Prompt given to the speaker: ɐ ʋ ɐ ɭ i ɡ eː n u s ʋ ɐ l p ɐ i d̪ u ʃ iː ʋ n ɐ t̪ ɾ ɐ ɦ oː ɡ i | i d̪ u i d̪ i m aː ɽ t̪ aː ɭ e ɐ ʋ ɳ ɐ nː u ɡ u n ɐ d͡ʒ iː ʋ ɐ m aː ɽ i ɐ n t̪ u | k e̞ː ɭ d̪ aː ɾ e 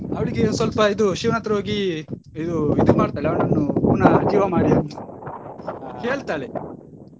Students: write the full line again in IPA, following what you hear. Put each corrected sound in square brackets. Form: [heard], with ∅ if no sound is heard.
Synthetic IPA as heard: ɐ ʋ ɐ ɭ i ɡ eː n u s ʋ ɐ l p ɐ i d̪ u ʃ iː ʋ n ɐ t̪ ɾ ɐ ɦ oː ɡ i | i d̪ u i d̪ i m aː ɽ t̪ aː ɭ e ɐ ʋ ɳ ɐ nː u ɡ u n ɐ d͡ʒ iː ʋ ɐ m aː ɽ i ɐ n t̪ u | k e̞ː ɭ [t̪] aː [ɭ] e